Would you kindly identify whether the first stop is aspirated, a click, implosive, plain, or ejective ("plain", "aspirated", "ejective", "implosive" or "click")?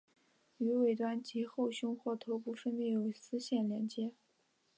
plain